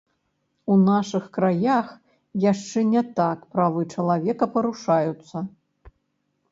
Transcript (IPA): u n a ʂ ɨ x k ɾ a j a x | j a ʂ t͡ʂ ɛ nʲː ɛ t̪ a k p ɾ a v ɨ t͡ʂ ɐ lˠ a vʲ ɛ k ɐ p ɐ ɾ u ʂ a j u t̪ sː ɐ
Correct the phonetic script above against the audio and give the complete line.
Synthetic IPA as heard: u n a ʂ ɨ x k ɾ a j a x | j a ʂ t͡ʂ ɛ nʲ ɛ t̪ a k p ɾ a v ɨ t͡ʂ ɐ lˠ a vʲ ɛ k ɐ p ɐ ɾ u ʂ a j u t̪ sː ɐ

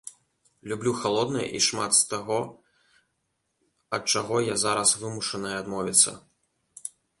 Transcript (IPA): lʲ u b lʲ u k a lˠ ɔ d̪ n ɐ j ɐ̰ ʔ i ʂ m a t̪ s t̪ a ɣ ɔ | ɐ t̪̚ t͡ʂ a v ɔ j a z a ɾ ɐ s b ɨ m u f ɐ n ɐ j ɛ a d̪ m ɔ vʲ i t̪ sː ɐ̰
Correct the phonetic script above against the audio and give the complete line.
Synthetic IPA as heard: lʲ u b lʲ u x a lˠ ɔ d̪ n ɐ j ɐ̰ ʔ i ʂ m a t̪ s t̪ a ɣ ɔ | ɐ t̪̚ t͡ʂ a ɣ ɔ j a z a ɾ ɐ s v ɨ m u ʂ ɐ n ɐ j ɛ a d̪ m ɔ vʲ i t̪ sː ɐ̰

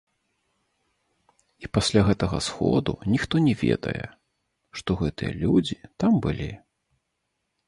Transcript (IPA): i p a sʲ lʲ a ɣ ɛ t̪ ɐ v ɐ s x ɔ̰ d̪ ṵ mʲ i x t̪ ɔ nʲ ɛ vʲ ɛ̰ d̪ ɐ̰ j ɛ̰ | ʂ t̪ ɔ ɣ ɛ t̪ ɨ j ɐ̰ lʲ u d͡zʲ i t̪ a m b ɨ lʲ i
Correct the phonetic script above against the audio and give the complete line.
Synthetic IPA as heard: i p a sʲ lʲ a ɣ ɛ t̪ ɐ ɣ ɐ s x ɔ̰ d̪ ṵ nʲ i x t̪ ɔ nʲ ɛ vʲ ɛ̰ d̪ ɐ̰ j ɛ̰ | ʂ t̪ ɔ ɣ ɛ t̪ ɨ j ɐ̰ lʲ u d͡zʲ i t̪ a m b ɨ lʲ i

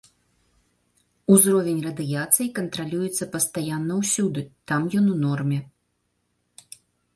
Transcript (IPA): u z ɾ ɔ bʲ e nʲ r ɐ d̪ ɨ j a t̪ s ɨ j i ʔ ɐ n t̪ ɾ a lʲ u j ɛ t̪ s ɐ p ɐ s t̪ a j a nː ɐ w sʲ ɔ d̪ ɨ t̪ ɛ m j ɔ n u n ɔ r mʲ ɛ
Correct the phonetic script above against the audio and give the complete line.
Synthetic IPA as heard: u z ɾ ɔ vʲ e nʲ r ɐ d̪ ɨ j a t̪ s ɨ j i k ɐ n t̪ ɾ a lʲ u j ɛ t̪ sː ɐ p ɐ s t̪ a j a nː ɐ w sʲ u d̪ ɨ t̪ a m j ɔ n u n ɔ r mʲ ɛ

